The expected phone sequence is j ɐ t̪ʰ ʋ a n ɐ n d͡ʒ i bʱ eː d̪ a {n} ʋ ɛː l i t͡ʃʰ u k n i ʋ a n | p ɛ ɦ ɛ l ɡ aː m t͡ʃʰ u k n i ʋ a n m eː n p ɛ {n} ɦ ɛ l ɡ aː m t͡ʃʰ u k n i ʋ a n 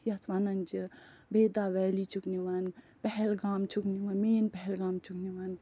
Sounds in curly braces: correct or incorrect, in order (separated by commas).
incorrect, incorrect